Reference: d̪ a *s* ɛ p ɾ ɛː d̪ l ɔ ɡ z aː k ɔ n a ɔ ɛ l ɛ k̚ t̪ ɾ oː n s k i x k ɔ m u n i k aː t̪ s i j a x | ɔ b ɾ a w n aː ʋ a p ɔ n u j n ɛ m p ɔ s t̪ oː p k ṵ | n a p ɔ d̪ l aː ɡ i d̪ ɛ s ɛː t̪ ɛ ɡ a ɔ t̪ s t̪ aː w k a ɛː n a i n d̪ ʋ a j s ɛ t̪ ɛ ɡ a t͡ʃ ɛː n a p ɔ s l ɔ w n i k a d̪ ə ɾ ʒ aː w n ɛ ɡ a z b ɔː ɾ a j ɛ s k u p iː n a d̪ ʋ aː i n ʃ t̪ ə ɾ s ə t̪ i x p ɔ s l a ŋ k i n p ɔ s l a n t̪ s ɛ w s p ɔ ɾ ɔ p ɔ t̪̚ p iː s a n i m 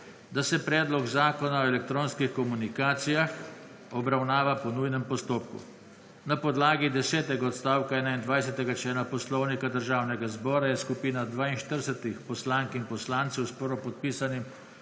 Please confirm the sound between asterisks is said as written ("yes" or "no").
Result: yes